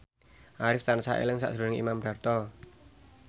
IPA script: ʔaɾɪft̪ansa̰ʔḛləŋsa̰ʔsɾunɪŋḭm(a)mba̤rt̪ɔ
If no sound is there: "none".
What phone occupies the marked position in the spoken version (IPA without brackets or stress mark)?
a